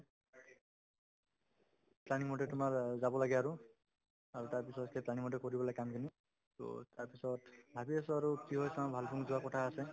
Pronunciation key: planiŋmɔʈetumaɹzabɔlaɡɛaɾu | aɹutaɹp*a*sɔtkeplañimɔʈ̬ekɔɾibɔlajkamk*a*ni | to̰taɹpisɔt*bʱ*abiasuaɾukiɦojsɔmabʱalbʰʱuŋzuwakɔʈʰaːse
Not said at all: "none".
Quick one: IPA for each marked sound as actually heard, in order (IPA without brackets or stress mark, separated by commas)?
i, i, bʱ